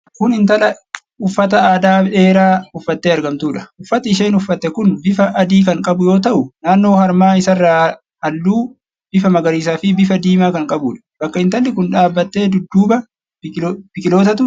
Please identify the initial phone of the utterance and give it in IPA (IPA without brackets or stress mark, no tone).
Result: k